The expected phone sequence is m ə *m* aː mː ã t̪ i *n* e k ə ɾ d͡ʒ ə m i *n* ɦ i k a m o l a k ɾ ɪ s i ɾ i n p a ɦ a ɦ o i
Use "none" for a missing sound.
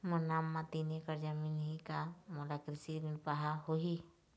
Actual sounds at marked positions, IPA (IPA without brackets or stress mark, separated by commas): n, n, n